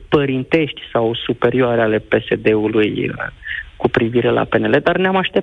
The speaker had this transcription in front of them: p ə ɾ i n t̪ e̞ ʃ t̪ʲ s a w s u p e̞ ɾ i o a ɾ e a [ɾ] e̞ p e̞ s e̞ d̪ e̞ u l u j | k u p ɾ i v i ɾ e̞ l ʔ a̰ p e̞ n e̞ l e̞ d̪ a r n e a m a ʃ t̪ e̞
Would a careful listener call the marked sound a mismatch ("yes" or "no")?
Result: yes